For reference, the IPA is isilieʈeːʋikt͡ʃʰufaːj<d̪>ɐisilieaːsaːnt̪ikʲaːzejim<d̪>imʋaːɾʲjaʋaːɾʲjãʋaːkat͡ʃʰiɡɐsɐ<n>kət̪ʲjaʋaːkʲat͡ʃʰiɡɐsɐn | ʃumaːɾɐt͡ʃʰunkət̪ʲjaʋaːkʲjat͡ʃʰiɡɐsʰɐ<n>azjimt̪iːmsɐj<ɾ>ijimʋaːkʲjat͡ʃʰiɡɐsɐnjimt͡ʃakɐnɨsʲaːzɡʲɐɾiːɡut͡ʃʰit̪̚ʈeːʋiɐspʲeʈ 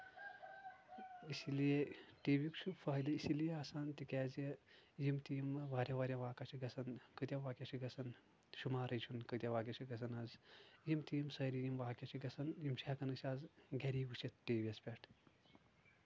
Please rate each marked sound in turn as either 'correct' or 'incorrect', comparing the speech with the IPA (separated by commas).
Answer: correct, incorrect, correct, correct, correct